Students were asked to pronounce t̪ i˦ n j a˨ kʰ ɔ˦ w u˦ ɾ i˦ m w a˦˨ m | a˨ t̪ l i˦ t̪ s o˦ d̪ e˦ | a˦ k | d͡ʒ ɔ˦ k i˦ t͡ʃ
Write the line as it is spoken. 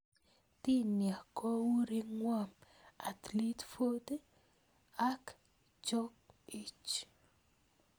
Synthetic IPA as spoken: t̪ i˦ n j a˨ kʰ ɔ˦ w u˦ ɾ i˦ ŋ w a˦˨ m | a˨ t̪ l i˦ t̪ f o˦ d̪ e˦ | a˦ k | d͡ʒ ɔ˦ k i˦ t͡ʃ